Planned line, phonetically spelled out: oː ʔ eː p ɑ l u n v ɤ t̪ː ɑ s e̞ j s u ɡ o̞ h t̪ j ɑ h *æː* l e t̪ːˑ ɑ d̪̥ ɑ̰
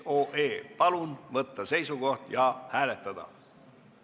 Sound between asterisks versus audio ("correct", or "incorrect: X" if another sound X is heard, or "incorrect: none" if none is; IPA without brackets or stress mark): correct